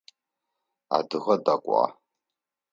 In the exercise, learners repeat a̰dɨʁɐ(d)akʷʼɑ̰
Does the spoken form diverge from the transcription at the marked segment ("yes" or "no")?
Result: no